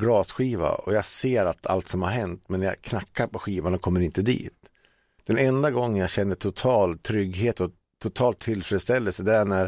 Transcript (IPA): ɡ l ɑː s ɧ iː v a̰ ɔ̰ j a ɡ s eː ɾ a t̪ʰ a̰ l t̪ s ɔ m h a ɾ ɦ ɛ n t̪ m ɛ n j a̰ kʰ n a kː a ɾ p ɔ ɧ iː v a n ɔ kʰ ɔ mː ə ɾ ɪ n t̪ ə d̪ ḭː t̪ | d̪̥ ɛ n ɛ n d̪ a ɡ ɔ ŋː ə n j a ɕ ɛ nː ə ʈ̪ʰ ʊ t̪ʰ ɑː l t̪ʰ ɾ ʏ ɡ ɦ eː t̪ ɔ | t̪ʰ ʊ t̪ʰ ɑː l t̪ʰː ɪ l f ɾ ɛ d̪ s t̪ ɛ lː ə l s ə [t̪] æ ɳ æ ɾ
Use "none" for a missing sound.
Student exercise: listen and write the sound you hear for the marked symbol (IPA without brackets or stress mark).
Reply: d̪